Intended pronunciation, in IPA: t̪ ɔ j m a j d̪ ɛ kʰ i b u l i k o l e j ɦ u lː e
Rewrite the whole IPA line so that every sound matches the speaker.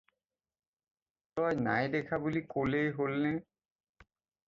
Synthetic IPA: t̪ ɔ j n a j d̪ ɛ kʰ a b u l i k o l e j ɦ o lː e